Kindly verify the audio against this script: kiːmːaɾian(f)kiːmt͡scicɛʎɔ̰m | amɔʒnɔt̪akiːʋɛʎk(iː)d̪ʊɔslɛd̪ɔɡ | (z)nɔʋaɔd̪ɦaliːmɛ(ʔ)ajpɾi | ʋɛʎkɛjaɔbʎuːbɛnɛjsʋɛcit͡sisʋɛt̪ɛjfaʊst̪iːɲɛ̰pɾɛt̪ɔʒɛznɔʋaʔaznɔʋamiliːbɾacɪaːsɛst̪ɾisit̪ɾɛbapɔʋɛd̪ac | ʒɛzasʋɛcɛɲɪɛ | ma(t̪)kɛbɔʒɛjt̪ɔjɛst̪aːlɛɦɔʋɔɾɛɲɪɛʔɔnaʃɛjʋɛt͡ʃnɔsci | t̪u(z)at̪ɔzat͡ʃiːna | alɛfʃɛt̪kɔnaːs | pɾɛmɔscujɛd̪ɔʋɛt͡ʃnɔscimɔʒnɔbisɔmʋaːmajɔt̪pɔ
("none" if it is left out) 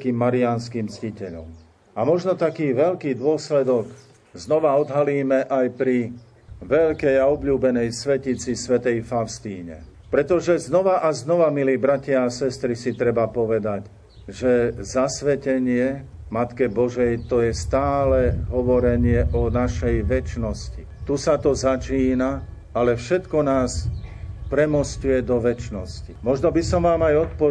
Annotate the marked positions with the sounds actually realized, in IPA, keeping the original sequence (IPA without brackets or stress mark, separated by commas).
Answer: s, iː, z, ʔ, t̪, s